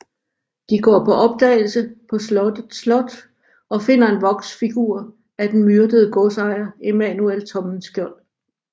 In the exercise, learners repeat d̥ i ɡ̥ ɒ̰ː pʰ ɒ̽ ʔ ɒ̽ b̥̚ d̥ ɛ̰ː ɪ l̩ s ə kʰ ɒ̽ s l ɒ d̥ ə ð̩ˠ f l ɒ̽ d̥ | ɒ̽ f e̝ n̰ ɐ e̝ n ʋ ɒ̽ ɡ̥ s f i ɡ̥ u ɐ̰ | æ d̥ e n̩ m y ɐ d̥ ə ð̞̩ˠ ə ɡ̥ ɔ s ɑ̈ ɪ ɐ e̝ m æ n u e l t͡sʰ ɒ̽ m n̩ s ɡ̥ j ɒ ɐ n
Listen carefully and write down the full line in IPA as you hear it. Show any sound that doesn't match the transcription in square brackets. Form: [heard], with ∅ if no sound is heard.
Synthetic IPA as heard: d̥ i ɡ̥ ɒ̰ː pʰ ɒ̽ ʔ ɒ̽ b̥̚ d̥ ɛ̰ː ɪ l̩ s ə [pʰ] ɒ̽ s l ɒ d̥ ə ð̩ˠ [s] l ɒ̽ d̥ | ɒ̽ f e̝ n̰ ɐ e̝ n ʋ ɒ̽ ɡ̥ s f i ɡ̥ u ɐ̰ | æ d̥ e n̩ m y ɐ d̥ ə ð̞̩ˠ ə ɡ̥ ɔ s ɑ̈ ɪ ɐ e̝ m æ n u e l t͡sʰ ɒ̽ m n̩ s ɡ̥ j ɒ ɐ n